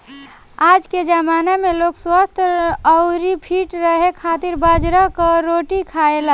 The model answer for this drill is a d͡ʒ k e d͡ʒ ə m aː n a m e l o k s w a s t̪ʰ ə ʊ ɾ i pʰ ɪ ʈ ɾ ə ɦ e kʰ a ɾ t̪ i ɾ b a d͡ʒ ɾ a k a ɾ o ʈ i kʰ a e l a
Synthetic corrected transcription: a d͡ʒ k e d͡ʒ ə m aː n a m e l o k s w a s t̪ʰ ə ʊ ɾ i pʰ i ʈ ɾ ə ɦ e kʰ a t̪ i ɾ b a d͡ʒ ɾ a k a ɾ o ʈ i kʰ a e l a